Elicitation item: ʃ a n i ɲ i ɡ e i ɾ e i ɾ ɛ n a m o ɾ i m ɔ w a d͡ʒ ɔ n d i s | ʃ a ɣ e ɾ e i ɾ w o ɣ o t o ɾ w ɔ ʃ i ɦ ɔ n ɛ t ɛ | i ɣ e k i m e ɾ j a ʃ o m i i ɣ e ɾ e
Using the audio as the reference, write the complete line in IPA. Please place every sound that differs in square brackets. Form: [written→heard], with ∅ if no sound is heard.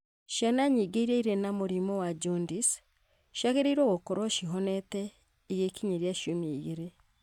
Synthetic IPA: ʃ a n [i→a] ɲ i ɡ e i ɾ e i ɾ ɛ n a m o ɾ i m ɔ w a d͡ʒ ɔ n d i s | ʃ a ɣ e ɾ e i ɾ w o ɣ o [t→k] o ɾ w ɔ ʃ i ɦ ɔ n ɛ t ɛ | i ɣ e k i [m→ɲ] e ɾ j a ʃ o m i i ɣ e ɾ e